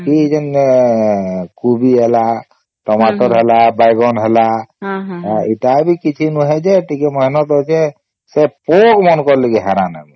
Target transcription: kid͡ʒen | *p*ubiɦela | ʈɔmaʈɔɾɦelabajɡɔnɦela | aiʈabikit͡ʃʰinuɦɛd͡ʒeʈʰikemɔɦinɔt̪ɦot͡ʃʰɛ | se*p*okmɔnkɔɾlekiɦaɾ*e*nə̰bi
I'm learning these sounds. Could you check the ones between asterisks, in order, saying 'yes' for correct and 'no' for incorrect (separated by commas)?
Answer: no, yes, no